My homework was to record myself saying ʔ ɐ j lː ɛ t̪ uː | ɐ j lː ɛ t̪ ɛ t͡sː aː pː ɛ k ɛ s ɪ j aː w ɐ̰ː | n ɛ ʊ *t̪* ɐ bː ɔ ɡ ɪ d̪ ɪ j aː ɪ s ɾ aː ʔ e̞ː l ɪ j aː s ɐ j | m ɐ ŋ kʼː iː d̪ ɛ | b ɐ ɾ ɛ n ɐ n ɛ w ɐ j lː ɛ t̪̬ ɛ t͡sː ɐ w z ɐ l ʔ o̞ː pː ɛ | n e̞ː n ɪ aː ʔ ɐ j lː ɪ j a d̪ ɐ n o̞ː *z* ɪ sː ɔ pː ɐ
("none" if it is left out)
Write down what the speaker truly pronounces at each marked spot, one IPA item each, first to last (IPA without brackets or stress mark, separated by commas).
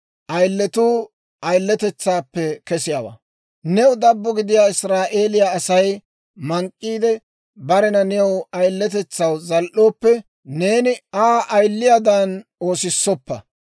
d̪, s